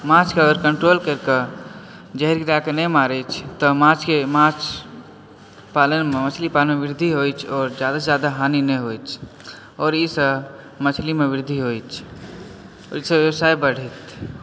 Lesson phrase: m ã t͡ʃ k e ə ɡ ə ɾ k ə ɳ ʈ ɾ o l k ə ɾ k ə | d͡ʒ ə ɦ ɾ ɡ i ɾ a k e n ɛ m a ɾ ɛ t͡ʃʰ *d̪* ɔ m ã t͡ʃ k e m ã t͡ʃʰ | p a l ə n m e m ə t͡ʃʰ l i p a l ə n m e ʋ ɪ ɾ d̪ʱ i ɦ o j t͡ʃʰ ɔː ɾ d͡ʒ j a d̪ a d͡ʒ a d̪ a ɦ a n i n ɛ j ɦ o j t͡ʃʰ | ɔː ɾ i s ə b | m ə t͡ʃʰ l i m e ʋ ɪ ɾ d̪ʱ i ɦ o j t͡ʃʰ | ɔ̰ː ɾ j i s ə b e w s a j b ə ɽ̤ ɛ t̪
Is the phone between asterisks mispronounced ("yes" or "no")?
yes